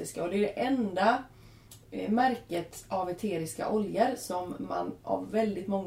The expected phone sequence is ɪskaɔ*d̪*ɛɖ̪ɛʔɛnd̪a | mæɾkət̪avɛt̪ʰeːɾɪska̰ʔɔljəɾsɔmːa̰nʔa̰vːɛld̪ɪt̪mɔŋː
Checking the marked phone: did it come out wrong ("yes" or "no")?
no